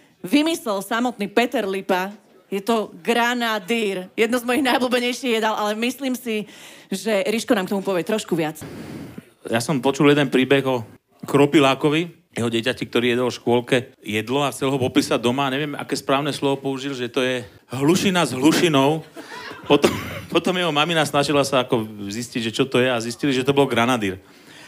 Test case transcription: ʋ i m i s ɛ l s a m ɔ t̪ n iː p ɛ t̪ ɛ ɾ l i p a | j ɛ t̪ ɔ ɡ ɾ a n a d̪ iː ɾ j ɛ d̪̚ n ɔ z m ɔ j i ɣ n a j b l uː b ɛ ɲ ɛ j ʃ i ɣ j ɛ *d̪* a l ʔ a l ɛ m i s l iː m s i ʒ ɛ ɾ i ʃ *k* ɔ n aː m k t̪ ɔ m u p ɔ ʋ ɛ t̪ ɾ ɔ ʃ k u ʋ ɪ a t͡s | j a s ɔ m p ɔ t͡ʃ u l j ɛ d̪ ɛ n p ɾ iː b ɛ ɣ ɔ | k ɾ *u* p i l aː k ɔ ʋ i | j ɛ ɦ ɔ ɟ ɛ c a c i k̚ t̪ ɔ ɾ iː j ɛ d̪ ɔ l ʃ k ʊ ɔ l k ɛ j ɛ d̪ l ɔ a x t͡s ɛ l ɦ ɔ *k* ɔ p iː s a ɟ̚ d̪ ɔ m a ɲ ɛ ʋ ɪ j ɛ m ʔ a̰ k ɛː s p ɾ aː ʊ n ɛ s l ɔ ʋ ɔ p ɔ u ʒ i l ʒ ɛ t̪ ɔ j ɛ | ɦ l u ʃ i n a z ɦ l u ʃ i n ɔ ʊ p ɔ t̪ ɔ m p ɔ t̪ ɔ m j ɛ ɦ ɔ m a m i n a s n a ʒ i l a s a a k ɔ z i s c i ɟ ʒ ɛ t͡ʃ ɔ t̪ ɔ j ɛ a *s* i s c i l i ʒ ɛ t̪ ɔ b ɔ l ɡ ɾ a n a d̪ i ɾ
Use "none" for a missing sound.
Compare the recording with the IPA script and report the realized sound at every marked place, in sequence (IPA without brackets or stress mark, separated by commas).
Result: d̪, k, ɔ, p, z